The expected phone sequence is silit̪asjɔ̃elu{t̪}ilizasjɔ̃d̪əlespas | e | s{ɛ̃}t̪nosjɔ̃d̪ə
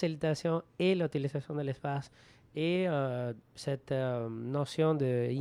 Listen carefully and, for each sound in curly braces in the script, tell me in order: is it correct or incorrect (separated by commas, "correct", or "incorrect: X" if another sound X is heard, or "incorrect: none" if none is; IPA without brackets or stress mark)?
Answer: correct, incorrect: ɛ